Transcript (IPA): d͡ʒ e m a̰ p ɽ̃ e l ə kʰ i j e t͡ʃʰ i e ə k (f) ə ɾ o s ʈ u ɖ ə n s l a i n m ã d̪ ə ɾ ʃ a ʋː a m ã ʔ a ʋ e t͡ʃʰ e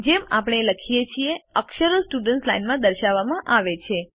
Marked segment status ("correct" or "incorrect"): incorrect